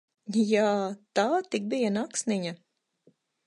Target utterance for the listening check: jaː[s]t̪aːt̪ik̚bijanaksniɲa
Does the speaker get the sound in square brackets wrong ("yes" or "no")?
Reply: yes